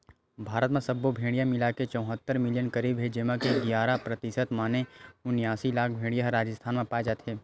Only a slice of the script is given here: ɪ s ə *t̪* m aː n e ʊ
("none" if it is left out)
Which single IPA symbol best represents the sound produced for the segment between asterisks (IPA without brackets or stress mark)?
t̪